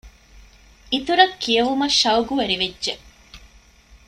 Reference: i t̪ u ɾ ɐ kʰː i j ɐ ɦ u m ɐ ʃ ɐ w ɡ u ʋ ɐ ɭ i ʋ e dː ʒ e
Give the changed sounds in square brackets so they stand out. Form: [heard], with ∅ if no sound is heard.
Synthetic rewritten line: i t̪ u ɾ ɐ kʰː i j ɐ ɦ u m ɐ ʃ ɐ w ɡ u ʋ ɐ [ɾ] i ʋ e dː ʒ e

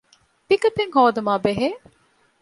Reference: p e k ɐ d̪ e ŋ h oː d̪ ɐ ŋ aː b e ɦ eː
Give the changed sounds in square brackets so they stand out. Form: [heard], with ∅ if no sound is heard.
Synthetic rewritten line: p [i] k ɐ [t̪] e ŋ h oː d̪ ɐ [m] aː b e ɦ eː

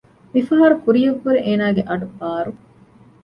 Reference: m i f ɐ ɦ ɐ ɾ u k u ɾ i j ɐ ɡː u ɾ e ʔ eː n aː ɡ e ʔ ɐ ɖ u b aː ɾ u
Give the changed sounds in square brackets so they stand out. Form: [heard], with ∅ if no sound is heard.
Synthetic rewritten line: m i f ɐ ɦ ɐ ɾ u k u ɾ i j ɐ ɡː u ɾ e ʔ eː n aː ɡ e ʔ ɐ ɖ u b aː ɾ u

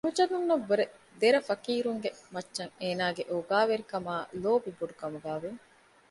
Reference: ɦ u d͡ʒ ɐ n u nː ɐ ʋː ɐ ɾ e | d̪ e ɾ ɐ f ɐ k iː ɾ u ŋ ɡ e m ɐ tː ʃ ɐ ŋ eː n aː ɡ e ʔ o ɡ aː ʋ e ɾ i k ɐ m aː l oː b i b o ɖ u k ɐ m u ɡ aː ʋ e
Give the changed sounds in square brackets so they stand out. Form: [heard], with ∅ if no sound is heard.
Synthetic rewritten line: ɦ u d͡ʒ ɐ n u nː ɐ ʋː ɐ ɾ e | d̪ e ɾ ɐ f ɐ k iː ɾ u ŋ ɡ e m ɐ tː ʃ ɐ ŋ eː n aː ɡ e ʔ o ɡ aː ʋ e ɾ i k ɐ m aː l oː b i b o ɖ u k ɐ m u ɡ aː ʋ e

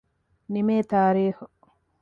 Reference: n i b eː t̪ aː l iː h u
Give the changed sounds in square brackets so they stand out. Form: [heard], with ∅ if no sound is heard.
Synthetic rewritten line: n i [m] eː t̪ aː [ɾ] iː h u

